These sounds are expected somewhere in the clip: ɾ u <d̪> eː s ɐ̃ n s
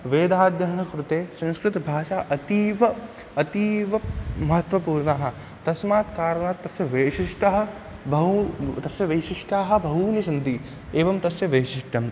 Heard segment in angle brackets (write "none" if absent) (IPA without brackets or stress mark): t̪